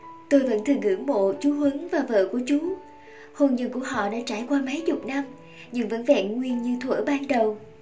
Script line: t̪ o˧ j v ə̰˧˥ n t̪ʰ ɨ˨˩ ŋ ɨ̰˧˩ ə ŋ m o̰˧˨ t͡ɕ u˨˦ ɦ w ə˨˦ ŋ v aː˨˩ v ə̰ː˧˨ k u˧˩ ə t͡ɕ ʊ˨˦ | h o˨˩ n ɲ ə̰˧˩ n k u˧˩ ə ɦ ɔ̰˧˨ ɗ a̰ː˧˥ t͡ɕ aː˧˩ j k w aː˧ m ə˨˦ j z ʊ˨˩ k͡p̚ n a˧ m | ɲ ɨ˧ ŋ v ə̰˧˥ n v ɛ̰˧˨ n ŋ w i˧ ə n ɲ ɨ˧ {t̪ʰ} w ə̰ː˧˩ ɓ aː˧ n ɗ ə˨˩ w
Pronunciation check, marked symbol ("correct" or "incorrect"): correct